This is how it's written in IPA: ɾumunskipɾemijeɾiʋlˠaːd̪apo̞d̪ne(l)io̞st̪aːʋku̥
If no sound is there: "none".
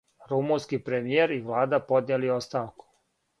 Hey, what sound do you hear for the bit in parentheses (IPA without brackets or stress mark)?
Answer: l